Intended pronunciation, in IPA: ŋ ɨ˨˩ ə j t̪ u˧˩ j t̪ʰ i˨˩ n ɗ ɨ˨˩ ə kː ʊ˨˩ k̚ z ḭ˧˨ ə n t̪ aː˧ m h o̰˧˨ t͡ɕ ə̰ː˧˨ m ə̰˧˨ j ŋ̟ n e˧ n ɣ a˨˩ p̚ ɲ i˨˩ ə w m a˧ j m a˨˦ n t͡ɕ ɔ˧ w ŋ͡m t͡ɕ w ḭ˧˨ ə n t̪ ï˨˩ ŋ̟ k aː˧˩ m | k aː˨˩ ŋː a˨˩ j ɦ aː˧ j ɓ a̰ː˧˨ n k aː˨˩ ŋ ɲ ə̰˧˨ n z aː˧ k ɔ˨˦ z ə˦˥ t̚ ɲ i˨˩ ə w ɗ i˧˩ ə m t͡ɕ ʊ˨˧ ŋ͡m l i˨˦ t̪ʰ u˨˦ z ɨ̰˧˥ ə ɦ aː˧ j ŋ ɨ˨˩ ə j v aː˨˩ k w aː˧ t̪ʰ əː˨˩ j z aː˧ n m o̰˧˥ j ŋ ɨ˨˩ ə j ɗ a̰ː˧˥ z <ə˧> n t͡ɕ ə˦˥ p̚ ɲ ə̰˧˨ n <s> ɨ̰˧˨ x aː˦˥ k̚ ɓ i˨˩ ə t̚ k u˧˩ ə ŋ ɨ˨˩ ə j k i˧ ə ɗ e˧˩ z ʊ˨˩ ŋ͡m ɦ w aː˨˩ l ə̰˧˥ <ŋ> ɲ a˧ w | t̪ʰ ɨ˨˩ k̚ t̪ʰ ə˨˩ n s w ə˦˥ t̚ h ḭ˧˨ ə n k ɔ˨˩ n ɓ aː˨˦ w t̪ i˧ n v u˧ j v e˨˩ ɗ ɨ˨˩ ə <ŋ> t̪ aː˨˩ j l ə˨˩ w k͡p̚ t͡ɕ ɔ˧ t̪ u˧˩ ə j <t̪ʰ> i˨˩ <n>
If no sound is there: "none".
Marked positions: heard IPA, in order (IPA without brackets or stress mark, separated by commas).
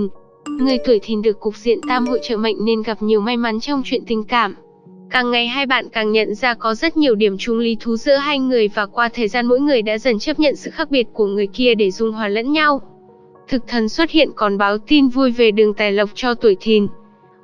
ə˨˩, s, n, ŋ, t̪ʰ, n